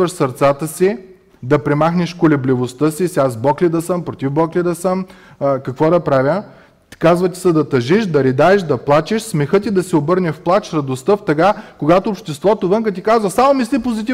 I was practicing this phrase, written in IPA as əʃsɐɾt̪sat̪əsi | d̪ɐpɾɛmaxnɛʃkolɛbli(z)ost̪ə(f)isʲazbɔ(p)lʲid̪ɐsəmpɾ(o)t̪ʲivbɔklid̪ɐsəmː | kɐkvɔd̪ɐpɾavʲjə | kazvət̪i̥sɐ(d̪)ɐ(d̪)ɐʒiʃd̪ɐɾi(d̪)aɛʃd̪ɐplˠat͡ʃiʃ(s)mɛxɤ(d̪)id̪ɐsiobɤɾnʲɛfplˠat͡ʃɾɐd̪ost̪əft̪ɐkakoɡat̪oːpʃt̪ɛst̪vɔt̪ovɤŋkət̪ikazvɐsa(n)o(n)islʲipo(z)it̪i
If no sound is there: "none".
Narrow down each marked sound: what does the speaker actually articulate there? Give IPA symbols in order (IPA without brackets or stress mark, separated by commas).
v, s, k, o, d̪, t̪, d̪, s, t̪, m, m, z